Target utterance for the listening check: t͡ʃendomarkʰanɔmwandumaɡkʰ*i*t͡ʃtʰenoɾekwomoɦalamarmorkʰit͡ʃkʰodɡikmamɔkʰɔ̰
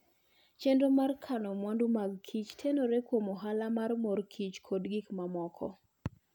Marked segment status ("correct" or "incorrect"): correct